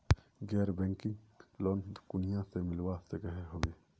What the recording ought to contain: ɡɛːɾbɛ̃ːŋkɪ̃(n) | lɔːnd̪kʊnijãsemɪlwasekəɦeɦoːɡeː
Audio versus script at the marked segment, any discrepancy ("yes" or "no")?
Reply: yes